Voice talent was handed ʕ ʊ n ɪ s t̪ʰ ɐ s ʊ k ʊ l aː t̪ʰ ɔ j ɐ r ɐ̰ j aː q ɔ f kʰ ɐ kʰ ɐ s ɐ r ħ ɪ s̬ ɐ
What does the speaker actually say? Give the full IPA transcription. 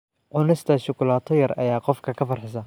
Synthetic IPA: ʕ ʊ n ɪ s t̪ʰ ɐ ʃ ʊ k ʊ l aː t̪ʰ ɔ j ɐ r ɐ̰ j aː q ɔ f kʰ ɐ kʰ ɐ f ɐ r ħ ɪ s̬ ɐ